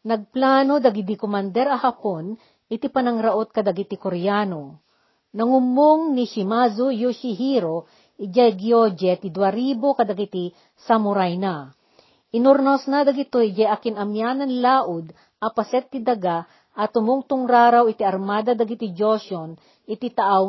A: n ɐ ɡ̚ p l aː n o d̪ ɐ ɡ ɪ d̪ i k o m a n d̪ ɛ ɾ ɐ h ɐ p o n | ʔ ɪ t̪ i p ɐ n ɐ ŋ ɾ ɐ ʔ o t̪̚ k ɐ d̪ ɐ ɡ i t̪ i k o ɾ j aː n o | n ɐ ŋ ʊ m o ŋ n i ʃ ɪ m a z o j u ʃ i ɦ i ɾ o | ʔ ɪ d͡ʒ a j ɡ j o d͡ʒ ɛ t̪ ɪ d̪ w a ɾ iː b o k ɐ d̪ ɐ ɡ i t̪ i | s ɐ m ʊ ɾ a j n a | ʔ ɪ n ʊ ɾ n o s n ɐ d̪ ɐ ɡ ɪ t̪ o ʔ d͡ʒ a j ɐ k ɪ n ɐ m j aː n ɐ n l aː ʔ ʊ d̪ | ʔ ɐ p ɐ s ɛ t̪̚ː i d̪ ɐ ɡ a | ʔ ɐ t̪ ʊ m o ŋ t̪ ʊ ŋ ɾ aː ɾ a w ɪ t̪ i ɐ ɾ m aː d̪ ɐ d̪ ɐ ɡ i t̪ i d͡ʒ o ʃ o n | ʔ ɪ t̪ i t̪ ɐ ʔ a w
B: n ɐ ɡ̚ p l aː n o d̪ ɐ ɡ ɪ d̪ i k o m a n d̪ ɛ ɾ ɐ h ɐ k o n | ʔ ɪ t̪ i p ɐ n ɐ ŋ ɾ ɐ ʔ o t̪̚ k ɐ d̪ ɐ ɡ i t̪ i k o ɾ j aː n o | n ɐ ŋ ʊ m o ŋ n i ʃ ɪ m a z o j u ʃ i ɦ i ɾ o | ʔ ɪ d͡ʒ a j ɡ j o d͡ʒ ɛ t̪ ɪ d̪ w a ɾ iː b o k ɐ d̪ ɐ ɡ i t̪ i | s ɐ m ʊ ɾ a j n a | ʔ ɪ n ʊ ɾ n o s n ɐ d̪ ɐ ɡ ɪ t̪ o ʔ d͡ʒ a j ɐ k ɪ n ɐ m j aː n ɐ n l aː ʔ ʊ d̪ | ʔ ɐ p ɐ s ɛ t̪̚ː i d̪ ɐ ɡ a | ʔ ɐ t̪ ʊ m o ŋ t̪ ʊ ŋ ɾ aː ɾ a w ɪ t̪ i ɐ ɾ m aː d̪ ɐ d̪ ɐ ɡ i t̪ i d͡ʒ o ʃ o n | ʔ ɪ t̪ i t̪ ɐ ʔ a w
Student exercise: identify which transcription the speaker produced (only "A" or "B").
A